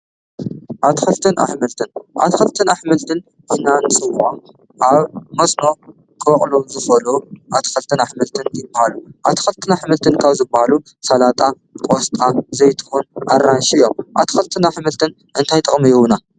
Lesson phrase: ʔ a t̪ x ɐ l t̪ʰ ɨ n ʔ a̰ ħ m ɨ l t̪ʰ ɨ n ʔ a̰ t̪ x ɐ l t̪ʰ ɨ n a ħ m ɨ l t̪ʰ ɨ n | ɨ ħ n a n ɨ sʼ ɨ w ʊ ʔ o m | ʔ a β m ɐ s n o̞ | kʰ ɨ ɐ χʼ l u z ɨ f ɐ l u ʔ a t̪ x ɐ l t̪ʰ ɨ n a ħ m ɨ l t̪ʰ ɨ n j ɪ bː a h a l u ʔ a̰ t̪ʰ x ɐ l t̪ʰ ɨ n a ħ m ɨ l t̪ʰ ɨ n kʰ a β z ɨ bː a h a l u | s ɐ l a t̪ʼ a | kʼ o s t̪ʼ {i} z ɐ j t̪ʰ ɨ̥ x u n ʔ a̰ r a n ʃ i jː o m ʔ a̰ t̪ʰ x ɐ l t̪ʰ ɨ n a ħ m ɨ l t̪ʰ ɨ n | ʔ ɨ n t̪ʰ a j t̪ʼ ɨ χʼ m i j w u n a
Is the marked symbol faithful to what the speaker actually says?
no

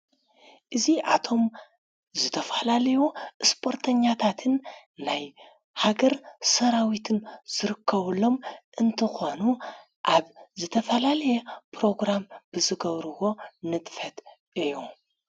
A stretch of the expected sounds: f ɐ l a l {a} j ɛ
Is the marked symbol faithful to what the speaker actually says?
no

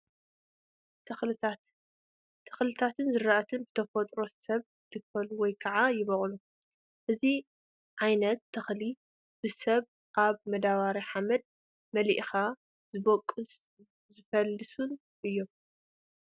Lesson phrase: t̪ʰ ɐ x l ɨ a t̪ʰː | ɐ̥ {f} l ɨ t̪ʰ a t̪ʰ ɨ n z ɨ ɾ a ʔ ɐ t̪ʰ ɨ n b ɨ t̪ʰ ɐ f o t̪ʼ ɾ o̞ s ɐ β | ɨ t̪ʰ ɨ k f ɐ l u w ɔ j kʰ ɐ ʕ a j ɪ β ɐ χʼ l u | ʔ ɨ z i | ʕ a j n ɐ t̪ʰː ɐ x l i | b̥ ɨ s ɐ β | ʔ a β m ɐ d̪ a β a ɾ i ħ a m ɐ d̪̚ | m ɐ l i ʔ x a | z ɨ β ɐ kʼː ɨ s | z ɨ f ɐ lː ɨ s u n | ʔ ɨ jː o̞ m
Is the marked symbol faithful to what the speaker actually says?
no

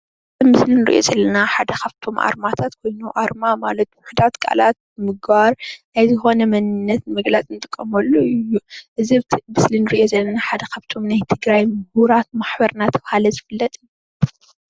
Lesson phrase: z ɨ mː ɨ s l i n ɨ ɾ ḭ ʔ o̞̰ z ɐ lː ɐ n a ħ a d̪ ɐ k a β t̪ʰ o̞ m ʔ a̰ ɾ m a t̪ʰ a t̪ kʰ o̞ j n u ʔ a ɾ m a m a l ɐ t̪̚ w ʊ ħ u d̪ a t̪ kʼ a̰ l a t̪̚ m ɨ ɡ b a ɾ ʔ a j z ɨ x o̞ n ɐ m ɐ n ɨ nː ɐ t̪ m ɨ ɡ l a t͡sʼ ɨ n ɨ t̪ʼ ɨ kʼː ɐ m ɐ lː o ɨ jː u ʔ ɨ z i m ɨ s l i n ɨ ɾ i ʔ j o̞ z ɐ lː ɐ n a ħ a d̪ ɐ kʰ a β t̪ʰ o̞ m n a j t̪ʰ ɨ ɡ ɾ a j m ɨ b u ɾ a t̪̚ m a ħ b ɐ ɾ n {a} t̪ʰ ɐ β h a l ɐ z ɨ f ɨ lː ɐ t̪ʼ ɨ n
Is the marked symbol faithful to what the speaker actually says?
yes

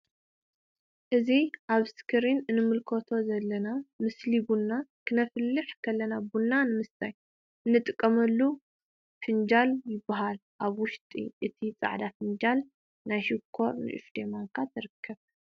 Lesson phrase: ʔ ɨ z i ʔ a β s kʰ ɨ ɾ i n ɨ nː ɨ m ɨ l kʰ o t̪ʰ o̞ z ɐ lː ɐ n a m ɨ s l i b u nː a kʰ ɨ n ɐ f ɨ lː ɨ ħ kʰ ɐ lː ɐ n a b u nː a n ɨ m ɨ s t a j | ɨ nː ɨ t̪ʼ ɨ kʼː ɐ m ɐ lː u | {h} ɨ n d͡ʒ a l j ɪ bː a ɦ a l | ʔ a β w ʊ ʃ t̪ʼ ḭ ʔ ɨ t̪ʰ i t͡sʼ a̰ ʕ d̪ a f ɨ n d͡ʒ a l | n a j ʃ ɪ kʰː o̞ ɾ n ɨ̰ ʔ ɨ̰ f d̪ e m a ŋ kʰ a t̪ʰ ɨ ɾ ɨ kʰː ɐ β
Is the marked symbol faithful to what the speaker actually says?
no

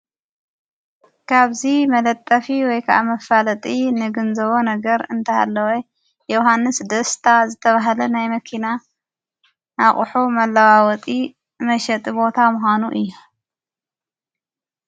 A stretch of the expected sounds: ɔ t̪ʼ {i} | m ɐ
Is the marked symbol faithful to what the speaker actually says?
yes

